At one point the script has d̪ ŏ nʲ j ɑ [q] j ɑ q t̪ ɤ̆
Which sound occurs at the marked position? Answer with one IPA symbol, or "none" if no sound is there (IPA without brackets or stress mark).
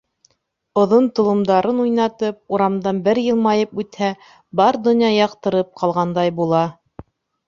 none